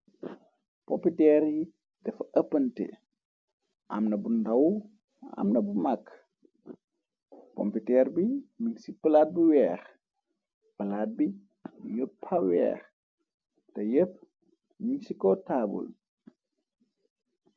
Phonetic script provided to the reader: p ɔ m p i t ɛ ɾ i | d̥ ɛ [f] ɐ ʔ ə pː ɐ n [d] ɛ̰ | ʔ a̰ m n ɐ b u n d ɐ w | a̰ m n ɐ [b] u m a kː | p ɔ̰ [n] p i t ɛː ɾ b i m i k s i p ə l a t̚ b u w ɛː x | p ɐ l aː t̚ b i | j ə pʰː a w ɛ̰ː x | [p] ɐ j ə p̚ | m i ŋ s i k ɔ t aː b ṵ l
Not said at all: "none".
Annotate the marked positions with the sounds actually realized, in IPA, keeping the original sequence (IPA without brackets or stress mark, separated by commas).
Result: f, t, b, m, t